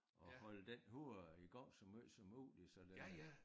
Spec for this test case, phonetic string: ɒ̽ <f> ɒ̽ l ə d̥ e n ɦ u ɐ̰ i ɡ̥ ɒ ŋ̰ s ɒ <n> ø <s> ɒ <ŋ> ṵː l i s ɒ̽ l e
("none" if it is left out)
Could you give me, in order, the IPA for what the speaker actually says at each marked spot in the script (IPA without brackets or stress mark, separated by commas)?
h, m, s, m